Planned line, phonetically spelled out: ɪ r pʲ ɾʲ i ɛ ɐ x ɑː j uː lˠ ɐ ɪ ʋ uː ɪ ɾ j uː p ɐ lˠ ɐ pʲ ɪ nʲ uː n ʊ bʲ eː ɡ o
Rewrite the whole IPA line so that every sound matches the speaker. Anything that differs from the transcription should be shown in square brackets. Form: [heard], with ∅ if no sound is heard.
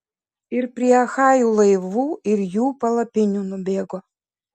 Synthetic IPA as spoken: ɪ [ɾ] pʲ ɾʲ i ɛ ɐ x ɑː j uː lˠ ɐ ɪ ʋ uː ɪ ɾ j uː p ɐ lˠ ɐ pʲ ɪ nʲ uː n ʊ bʲ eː ɡ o